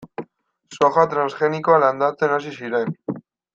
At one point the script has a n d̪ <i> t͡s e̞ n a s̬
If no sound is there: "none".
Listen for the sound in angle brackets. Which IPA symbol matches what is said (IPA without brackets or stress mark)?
a